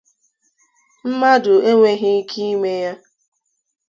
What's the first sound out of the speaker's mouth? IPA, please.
m̩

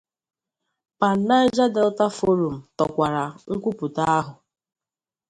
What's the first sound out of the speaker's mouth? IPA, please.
p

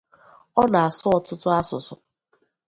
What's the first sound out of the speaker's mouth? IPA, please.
ɔ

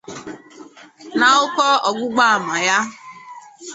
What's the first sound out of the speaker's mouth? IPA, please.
n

